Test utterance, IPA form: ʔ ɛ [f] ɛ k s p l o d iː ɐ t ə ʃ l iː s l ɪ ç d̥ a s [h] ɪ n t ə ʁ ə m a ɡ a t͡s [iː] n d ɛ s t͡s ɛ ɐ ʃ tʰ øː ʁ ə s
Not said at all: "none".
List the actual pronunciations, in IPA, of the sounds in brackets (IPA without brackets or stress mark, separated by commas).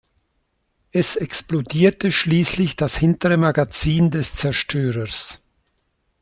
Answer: s, h, iː